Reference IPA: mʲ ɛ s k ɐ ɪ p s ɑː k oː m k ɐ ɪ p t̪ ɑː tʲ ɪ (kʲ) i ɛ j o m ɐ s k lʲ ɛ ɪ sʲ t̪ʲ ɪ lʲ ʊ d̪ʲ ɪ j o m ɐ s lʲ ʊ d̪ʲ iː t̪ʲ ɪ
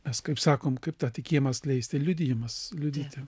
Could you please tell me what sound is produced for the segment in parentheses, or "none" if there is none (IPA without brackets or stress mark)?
kʲ